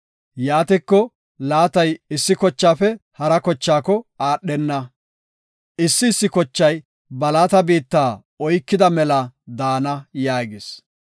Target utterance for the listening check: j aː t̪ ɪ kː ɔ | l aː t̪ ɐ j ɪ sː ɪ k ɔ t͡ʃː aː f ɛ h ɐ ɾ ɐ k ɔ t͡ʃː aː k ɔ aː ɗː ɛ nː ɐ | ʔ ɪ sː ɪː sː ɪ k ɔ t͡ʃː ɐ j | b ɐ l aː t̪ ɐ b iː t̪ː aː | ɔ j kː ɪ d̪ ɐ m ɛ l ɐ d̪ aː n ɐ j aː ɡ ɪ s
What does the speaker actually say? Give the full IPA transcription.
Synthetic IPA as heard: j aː t̪ ɪ kː ɔ | l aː t̪ ɐ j ɪ sː ɪ k ɔ t͡ʃː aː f ɛ h ɐ ɾ ɐ k ɔ t͡ʃː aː k ɔ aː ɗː ɛ nː ɐ | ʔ ɪ sː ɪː sː ɪ k ɔ t͡ʃː ɐ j | b ɐ l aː t̪ ɐ b iː t̪ː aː | ɔ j kː ɪ d̪ ɐ m ɛ l ɐ d̪ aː n ɐ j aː ɡ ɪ s